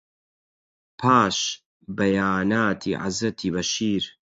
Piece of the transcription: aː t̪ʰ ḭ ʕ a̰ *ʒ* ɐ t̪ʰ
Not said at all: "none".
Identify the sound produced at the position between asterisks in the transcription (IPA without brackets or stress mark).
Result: z